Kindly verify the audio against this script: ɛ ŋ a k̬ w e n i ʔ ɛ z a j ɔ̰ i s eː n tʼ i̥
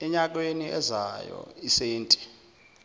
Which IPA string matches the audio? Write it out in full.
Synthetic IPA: ɛ ɲ a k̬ w e n i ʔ ɛ z a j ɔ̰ i s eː n tʼ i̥

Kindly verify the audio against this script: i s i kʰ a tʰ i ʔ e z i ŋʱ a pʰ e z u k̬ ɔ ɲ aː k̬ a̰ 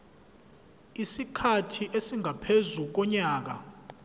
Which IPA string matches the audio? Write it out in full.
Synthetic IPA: i s i kʰ a tʰ i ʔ e s i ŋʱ a pʰ e z u k̬ ɔ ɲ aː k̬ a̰

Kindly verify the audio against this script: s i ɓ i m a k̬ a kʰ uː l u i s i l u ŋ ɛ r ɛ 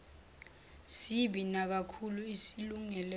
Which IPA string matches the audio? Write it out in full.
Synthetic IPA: s i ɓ i n a k̬ a kʰ u l u i s i l u ŋ ɛ l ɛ

